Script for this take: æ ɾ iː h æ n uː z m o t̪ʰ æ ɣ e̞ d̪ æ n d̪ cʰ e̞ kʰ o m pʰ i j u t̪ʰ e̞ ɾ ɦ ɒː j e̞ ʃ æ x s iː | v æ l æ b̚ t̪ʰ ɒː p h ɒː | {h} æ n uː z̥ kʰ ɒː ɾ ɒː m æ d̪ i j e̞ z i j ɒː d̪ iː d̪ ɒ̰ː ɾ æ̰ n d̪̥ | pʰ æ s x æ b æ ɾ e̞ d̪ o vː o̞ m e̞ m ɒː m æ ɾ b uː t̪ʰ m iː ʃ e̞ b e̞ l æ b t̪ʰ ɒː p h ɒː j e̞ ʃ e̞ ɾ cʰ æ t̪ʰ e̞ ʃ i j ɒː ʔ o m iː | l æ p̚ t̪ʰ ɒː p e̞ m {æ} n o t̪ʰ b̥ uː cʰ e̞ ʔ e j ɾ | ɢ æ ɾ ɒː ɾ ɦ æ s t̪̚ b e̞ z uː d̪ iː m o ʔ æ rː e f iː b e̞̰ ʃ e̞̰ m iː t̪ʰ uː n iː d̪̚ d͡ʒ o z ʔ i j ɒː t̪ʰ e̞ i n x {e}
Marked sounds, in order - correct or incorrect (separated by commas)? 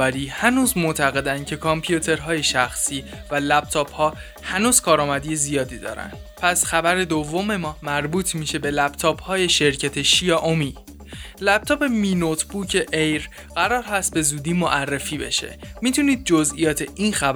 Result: correct, incorrect, incorrect